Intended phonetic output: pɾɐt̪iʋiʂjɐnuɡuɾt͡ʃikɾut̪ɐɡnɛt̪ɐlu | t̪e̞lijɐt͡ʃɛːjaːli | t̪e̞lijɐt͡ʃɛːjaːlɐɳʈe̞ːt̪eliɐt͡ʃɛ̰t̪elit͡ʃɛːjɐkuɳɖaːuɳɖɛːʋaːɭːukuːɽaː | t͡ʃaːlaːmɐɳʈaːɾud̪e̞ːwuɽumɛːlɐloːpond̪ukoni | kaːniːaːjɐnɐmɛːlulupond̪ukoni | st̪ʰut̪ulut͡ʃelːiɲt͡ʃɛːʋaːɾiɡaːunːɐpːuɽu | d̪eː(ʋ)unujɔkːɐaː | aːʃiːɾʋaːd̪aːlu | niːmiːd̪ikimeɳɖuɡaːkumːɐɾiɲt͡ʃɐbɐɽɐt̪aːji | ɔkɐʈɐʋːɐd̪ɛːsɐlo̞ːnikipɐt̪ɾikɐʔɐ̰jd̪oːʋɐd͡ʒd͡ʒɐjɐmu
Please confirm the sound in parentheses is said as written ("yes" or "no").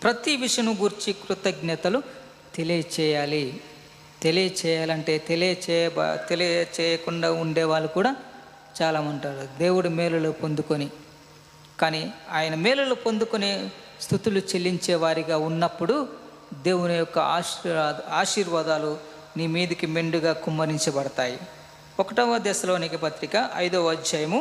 no